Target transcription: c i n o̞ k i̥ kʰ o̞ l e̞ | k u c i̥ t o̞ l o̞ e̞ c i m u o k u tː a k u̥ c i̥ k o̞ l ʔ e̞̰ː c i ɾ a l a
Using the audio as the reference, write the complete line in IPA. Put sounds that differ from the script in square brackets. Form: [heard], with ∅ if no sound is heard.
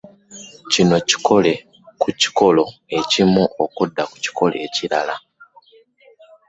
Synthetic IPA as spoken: c i n o̞ [c] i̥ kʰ o̞ l e̞ | k u c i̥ [k] o̞ l o̞ e̞ c i m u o k u [dː] a k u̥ c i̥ k o̞ l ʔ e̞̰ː c i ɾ a l a